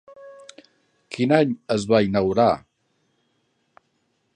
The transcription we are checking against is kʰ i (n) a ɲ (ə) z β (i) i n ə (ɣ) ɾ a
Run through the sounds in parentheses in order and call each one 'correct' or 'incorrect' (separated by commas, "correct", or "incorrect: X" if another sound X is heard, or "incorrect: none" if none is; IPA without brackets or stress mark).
correct, correct, incorrect: a, incorrect: w